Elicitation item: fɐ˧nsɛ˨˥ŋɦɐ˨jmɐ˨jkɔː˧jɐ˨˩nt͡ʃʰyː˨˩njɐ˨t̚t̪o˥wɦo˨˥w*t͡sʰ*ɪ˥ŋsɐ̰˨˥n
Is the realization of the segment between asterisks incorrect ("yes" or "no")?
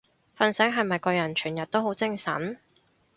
yes